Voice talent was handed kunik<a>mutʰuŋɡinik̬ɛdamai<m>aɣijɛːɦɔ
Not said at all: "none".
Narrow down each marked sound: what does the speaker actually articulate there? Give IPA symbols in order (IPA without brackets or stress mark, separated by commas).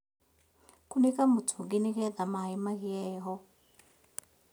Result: a, m